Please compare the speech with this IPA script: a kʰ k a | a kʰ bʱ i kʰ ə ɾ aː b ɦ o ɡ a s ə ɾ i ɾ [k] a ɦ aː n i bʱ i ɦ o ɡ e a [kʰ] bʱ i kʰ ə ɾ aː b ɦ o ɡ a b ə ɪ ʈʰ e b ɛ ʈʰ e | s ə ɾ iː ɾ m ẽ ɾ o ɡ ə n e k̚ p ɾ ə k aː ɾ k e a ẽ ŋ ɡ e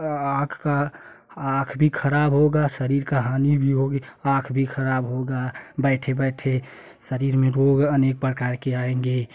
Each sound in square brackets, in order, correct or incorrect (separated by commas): correct, correct